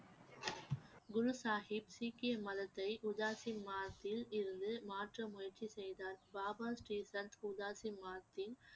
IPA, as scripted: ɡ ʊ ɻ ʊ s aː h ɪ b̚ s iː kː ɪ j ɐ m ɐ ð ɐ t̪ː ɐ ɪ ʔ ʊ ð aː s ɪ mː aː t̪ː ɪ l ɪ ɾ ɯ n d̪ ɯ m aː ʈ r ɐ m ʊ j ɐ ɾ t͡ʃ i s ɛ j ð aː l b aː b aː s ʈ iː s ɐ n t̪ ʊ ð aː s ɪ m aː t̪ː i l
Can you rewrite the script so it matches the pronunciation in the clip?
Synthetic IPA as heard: ɡ ʊ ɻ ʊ s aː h ɪ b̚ s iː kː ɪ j ɐ m ɐ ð ɐ t̪ː ɐ ɪ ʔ ʊ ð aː s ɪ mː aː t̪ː ɪ l ɪ ɾ ɯ n d̪ ɯ m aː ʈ r ɐ m ʊ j ɐ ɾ t͡ʃ i s ɛ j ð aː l b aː b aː s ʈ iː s ɐ n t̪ ʊ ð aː s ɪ m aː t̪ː ɪ l